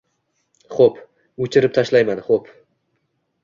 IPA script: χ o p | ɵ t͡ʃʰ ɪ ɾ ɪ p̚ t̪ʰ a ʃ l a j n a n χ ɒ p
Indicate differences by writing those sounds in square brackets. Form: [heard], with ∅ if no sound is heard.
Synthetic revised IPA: χ o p | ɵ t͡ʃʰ ɪ ɾ ɪ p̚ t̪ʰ a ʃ l a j [m] a n χ [o] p